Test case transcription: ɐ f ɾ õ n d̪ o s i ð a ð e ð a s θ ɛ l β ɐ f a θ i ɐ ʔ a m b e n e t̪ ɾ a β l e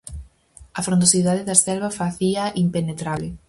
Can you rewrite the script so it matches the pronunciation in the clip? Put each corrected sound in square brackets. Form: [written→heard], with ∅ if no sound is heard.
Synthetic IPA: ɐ f ɾ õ n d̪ o s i ð a ð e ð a s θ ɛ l β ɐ f a θ i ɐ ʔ [a→i] m [b→p] e n e t̪ ɾ a β l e